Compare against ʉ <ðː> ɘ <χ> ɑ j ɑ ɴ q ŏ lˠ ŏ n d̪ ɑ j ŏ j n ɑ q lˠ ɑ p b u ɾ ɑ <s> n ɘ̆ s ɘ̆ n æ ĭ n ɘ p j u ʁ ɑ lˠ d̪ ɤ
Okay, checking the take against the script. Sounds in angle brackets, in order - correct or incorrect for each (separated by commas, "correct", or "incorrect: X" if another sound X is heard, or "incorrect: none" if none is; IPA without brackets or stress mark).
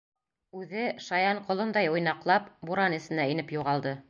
incorrect: ð, incorrect: ʃ, incorrect: none